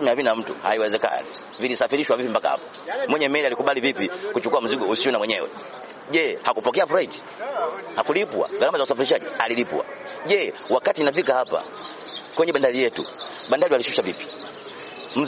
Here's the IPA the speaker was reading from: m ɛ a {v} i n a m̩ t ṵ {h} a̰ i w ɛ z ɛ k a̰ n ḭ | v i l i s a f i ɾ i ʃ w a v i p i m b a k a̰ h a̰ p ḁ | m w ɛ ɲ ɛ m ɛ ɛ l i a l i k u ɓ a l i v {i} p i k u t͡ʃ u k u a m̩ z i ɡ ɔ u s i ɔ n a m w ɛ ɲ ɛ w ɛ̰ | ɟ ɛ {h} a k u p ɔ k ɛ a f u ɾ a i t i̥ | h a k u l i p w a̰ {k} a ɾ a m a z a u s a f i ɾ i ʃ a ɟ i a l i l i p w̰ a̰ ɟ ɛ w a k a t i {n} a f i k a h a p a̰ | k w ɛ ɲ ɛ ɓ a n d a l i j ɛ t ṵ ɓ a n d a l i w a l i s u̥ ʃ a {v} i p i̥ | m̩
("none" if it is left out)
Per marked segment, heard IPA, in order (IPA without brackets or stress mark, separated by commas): v, h, i, h, ɡ, n, v